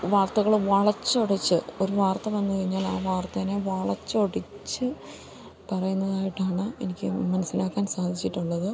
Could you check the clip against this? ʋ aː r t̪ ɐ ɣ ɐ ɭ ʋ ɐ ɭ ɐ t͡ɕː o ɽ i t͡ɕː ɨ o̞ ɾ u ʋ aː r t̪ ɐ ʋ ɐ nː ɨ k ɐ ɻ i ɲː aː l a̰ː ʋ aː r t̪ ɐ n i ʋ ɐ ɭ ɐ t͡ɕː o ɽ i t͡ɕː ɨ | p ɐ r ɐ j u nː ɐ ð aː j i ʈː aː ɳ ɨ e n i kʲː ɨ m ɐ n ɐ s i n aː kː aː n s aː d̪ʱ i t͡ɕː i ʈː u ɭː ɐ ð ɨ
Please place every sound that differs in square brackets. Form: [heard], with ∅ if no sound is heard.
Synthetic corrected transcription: ʋ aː r t̪ ɐ ɣ ɐ ɭ ʋ ɐ ɭ ɐ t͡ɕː o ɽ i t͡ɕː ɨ o̞ ɾ u ʋ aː r t̪ ɐ ʋ ɐ nː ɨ k ɐ ɻ i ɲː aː l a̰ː ʋ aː r t̪ ɐ n [e] ʋ ɐ ɭ ɐ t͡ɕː o ɽ i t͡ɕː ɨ | p ɐ r ɐ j u nː ɐ ð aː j i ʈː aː ɳ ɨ e n i kʲː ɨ m ɐ n ɐ s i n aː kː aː n s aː d̪ʱ i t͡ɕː i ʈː u ɭː ɐ ð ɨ

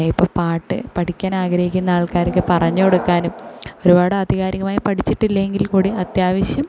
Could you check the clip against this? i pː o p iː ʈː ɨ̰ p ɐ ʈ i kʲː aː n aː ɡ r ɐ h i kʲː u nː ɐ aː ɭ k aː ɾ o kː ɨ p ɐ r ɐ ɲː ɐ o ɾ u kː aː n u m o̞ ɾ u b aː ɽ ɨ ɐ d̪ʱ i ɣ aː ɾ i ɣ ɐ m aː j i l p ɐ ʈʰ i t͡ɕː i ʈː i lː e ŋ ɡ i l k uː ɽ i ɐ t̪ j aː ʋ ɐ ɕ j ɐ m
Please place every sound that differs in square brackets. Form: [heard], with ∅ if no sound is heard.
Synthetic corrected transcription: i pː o p [aː] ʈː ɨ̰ p ɐ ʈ i kʲː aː n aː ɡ [ɾ] ɐ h i kʲː u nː ɐ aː ɭ k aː ɾ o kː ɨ p ɐ r ɐ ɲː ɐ o [ɽ] u kː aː n u m o̞ ɾ u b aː ɽ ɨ ɐ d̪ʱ i ɣ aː ɾ i ɣ ɐ m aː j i [∅] p ɐ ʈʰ i t͡ɕː i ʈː i lː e ŋ ɡ i l k uː ɽ i ɐ t̪ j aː ʋ ɐ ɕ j ɐ m

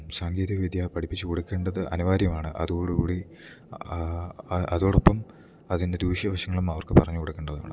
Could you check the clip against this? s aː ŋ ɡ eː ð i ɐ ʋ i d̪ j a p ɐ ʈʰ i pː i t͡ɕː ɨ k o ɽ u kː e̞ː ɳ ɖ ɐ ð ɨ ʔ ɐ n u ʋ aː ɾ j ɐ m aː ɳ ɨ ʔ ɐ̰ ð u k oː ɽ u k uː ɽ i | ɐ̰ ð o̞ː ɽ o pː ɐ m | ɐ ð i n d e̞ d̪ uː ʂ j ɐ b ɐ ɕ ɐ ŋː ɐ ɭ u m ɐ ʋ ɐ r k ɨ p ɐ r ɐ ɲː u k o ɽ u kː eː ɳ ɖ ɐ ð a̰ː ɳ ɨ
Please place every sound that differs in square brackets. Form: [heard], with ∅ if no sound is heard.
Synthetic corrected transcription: s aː ŋ ɡ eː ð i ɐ ʋ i d̪ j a p ɐ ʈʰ i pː i t͡ɕː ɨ k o ɽ u kː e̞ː ɳ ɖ ɐ ð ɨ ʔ ɐ n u ʋ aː ɾ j ɐ m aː ɳ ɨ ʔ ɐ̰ ð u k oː ɽ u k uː ɽ i | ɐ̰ ð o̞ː ɽ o pː ɐ m | ɐ ð i n d e̞ d̪ uː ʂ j ɐ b ɐ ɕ ɐ ŋː ɐ ɭ u m ɐ ʋ ɐ r k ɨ p ɐ r ɐ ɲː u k o ɽ u kː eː ɳ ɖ ɐ ð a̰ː ɳ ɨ

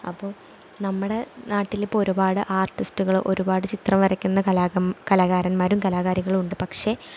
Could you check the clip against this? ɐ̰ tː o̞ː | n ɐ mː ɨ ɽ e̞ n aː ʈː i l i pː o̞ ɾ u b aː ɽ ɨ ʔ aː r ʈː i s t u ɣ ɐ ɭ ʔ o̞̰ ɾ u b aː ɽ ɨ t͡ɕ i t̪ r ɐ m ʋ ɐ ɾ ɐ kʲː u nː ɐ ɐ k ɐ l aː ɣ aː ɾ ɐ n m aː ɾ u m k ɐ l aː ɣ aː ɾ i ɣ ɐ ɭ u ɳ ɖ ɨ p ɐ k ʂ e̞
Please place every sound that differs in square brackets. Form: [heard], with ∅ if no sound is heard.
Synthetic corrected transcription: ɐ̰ [pː] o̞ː | n ɐ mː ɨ ɽ e̞ n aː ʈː i l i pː o̞ ɾ u b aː ɽ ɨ ʔ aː r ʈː i s t u ɣ ɐ ɭ ʔ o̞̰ ɾ u b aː ɽ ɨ t͡ɕ i t̪ r ɐ m ʋ ɐ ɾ ɐ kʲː u nː ɐ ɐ k ɐ l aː ɣ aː ɾ ɐ n m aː ɾ u m k ɐ l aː ɣ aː ɾ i ɣ ɐ ɭ u ɳ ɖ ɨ p ɐ k ʂ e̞

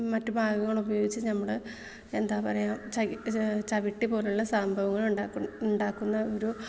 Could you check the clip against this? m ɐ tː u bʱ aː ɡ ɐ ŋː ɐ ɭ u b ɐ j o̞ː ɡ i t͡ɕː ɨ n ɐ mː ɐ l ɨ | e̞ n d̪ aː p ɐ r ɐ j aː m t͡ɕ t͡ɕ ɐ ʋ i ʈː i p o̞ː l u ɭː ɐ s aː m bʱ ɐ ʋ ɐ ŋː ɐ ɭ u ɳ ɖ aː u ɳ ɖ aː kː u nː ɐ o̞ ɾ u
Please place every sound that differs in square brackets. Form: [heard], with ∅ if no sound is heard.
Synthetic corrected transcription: m ɐ tː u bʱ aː ɡ ɐ ŋː ɐ ɭ u b ɐ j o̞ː ɡ i t͡ɕː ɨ n ɐ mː ɐ [ɭ] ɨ | e̞ n d̪ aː p ɐ r ɐ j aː m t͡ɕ t͡ɕ ɐ ʋ i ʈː i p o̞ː l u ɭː ɐ s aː m bʱ ɐ ʋ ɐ ŋː ɐ ɭ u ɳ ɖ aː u ɳ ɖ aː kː u nː ɐ o̞ ɾ u

